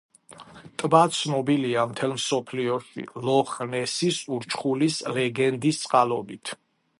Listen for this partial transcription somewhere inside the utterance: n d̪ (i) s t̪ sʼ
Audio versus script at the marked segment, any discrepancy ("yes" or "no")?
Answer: no